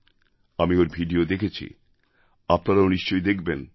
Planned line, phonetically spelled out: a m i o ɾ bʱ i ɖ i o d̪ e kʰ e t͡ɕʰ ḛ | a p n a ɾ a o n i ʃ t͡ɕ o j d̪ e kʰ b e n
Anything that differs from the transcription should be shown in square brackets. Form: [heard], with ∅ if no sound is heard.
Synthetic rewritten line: a m i o ɾ bʱ i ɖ i o d̪ e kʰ e t͡ɕʰ [ḭ] | a p n a ɾ a o n i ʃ t͡ɕ o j d̪ e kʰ b e n